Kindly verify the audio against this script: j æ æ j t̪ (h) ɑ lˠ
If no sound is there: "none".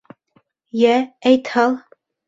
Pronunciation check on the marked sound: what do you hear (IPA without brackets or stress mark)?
h